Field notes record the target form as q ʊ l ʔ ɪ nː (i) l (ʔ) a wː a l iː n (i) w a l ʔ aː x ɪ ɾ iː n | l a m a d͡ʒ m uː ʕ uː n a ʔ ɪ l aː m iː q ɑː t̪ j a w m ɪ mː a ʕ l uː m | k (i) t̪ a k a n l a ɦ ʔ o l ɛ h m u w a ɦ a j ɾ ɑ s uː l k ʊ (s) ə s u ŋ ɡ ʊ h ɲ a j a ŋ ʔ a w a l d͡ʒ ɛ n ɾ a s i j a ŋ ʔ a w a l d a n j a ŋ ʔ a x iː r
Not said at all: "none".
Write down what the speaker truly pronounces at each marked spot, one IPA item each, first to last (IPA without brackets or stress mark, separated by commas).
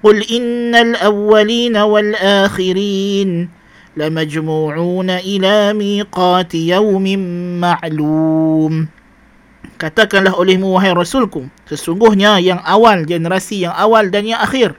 a, ʔ, a, a, s